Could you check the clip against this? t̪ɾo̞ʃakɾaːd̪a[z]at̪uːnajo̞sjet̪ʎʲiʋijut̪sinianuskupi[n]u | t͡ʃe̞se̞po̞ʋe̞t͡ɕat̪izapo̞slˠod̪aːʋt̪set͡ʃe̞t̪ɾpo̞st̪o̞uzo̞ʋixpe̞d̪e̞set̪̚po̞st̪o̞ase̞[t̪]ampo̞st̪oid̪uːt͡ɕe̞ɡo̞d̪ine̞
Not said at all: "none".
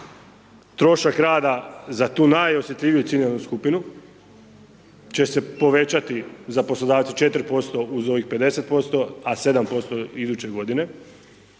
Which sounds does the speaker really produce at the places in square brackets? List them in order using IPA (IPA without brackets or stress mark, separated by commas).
z, n, d̪